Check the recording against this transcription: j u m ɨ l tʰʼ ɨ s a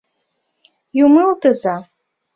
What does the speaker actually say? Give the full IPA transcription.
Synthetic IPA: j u m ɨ l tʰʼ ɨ z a